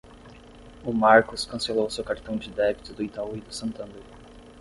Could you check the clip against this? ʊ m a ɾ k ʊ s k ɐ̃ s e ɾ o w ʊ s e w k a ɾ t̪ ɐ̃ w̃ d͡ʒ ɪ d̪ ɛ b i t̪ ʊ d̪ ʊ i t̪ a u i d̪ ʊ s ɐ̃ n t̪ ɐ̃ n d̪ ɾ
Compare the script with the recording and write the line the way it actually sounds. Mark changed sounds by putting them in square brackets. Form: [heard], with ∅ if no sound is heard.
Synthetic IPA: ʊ m a ɾ k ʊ s k ɐ̃ s e [l] o w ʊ s e w k a ɾ t̪ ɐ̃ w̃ d͡ʒ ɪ d̪ ɛ b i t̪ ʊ d̪ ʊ i t̪ a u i d̪ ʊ s ɐ̃ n t̪ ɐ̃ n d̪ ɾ